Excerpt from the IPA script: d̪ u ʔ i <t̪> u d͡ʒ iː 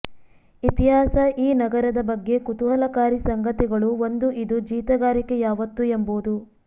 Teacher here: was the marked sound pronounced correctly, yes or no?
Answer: no